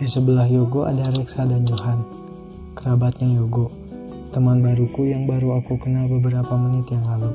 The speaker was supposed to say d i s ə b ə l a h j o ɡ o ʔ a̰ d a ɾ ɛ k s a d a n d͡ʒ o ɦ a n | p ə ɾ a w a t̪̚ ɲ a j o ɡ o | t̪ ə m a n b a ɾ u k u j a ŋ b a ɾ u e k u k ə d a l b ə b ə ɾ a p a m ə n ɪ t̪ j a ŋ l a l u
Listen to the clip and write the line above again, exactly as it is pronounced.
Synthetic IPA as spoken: d i s ə b ə l a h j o ɡ o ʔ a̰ d a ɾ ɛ k s a d a n d͡ʒ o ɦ a n | k ə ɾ a b a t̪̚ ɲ a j o ɡ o | t̪ ə m a n b a ɾ u k u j a ŋ b a ɾ u a k u k ə n a l b ə b ə ɾ a p a m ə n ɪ t̪ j a ŋ l a l u